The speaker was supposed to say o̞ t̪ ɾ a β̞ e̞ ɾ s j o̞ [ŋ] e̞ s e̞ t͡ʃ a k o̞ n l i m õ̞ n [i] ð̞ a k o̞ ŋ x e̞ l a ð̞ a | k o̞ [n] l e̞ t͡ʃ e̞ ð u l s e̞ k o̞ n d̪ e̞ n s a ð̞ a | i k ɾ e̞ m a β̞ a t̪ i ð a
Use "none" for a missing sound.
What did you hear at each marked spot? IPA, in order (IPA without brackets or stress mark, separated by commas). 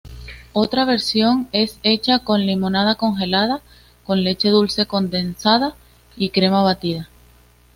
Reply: ŋ, a, n